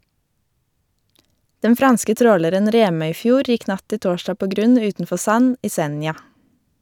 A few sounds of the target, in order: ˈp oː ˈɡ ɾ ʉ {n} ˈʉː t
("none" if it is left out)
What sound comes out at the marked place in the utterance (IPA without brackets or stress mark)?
n